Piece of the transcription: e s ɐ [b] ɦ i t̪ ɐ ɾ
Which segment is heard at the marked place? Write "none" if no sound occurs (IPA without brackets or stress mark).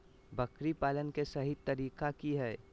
none